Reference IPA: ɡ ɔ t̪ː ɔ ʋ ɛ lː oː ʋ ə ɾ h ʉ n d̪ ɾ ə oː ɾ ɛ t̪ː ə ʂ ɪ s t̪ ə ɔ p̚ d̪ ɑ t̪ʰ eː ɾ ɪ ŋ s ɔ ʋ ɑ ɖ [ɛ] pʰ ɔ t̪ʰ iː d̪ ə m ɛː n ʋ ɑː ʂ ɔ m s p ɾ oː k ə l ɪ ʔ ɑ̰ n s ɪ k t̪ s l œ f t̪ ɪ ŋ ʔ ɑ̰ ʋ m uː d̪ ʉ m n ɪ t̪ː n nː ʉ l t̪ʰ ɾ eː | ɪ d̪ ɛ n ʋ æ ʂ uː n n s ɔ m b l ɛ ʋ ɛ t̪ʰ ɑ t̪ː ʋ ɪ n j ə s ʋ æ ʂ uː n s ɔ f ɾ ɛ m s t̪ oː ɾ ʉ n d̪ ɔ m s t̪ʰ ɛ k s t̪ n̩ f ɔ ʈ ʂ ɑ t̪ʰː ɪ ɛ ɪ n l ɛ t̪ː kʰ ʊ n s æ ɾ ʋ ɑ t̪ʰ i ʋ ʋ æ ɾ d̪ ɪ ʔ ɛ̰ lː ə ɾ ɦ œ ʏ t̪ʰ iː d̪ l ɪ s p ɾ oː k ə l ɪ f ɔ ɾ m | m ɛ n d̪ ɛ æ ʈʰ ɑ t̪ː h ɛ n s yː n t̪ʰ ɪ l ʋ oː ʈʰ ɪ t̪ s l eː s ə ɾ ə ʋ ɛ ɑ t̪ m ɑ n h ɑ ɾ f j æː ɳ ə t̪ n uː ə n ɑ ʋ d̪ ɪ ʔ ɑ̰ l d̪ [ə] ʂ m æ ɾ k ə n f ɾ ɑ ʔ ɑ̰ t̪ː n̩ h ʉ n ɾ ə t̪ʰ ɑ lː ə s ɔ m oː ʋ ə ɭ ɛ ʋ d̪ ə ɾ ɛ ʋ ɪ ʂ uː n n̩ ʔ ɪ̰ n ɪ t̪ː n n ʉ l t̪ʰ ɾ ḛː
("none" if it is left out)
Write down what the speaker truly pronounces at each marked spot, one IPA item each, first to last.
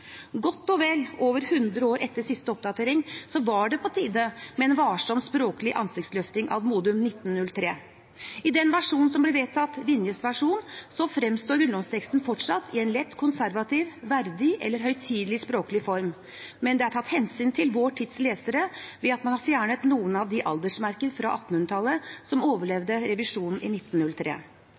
ɛ, ə

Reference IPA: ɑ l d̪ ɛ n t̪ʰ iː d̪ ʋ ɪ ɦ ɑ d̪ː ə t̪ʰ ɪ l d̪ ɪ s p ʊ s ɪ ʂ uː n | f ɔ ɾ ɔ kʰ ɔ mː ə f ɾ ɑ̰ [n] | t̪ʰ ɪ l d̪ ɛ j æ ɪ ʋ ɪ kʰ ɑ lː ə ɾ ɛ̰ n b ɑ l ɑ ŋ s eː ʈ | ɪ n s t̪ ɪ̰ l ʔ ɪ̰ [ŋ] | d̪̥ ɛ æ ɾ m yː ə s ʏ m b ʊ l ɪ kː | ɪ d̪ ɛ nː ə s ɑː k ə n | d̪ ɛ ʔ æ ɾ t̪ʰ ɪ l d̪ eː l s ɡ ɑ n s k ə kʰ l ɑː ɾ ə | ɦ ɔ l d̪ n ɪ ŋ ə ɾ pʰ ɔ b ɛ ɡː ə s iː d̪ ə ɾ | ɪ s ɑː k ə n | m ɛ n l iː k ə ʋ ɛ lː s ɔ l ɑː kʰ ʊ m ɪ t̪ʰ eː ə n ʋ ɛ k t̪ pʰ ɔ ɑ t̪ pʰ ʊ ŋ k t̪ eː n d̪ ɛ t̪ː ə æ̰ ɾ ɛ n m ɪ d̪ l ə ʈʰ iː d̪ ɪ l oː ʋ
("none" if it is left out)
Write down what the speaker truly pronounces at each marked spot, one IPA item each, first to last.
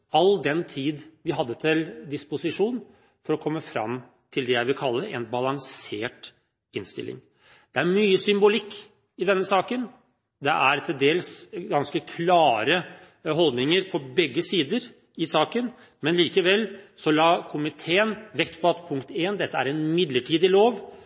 m, ŋ

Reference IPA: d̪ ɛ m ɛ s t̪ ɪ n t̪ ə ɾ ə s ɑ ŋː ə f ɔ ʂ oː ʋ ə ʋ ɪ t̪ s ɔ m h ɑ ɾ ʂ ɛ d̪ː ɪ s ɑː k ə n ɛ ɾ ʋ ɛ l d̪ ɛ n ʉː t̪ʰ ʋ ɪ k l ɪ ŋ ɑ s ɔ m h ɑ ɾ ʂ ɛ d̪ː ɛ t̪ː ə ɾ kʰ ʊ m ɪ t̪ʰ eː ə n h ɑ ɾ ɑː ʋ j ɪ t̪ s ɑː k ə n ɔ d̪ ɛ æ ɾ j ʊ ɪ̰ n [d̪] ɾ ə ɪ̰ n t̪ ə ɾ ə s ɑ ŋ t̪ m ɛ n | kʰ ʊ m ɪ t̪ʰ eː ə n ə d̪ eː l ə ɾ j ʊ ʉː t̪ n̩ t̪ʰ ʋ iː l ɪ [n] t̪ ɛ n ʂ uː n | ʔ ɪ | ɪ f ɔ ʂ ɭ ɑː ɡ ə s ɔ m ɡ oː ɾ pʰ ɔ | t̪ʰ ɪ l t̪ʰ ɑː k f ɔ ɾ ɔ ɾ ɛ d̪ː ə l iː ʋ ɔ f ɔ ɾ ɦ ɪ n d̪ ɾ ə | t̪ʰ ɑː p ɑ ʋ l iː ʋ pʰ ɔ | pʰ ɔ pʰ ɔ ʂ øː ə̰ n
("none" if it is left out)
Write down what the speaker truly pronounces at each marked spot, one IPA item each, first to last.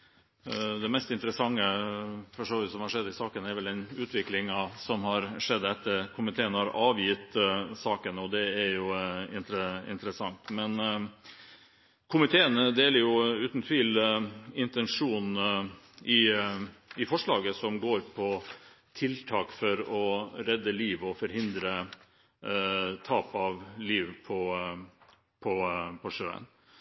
t̪, n

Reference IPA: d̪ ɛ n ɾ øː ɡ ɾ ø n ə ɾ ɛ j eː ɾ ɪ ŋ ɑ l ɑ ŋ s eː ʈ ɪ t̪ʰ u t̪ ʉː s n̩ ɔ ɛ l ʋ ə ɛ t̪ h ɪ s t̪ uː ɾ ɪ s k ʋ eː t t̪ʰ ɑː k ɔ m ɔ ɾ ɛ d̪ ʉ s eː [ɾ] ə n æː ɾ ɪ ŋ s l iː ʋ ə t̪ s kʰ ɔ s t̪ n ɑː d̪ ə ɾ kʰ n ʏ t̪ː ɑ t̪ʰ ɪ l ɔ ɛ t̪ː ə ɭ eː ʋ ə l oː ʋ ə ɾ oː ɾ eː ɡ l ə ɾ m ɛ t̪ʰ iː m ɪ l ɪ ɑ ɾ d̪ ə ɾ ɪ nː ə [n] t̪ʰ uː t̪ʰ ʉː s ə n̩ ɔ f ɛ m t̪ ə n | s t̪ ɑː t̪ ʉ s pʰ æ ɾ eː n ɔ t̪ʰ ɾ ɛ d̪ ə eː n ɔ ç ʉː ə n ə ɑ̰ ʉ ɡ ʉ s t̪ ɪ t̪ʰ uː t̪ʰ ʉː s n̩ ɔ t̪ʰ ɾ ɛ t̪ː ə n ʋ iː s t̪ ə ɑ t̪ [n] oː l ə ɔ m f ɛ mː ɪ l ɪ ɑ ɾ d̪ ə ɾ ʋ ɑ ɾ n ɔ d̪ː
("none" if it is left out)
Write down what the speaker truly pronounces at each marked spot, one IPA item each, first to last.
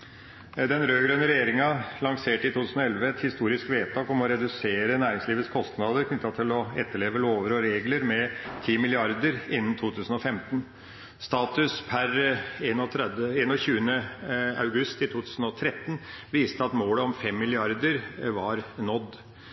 ɾ, n, m

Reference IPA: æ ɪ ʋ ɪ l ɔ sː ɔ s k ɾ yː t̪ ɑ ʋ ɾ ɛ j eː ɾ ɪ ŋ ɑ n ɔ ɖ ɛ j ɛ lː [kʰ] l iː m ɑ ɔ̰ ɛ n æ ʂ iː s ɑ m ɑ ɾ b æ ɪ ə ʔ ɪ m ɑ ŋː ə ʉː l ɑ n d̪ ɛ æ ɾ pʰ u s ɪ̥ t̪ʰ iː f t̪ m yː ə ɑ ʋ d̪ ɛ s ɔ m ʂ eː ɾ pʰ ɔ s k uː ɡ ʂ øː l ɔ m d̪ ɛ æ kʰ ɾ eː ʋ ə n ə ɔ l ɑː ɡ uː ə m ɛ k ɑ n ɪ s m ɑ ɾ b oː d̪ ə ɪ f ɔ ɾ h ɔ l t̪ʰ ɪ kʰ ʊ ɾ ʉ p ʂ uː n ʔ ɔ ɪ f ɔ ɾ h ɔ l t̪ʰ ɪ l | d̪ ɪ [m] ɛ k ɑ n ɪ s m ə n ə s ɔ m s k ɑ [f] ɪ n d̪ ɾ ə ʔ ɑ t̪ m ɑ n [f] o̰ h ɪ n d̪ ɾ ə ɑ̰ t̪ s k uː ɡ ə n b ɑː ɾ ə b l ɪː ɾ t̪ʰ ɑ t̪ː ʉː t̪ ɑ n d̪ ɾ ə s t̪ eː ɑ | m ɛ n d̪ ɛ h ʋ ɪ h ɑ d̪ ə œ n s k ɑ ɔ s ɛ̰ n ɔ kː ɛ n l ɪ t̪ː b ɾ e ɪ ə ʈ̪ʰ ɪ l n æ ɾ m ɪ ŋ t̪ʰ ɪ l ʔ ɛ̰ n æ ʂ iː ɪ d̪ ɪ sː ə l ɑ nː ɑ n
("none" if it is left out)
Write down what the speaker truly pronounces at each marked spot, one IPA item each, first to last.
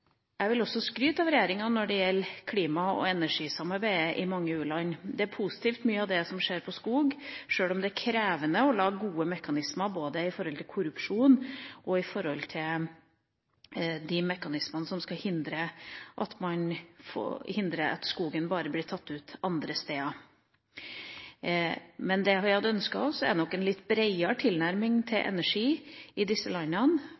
kʰ, m, h, f

